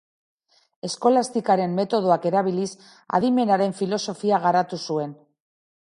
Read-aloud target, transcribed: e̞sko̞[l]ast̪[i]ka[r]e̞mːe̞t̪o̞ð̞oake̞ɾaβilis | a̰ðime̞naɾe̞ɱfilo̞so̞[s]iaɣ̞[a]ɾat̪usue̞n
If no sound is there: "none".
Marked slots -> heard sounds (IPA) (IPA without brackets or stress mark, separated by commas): l, i, ɾ, f, a